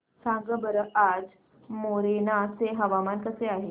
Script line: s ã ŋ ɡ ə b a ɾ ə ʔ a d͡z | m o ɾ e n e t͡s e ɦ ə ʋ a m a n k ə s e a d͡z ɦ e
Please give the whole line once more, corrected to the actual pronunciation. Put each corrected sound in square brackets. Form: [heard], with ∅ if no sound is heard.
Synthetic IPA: s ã ŋ ɡ ə b [ə] ɾ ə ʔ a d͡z | m o ɾ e n [a] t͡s e ɦ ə ʋ a m a n k ə s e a [∅] ɦ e